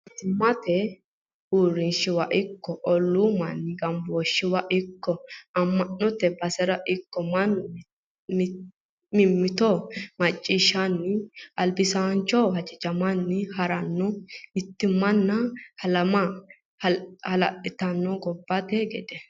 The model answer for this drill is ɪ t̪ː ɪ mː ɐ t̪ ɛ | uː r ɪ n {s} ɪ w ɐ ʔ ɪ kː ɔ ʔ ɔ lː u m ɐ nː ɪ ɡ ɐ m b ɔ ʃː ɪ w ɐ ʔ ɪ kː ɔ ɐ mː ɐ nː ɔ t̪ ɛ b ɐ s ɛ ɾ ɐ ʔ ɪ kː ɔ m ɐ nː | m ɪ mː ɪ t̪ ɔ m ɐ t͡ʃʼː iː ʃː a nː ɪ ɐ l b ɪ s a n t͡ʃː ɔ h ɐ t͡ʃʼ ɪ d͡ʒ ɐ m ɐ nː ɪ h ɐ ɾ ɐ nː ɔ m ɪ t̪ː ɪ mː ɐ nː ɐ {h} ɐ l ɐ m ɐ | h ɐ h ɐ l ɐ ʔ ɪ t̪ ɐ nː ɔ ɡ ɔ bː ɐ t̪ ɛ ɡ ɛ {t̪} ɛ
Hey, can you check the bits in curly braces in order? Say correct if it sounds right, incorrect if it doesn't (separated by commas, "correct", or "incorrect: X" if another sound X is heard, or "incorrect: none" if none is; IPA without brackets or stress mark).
incorrect: ʃ, correct, incorrect: d̪